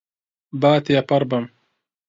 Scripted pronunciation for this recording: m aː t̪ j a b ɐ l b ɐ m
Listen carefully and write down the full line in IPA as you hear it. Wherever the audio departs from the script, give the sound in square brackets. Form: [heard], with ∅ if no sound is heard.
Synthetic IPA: [b] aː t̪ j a [p] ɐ [ɾ] b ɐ m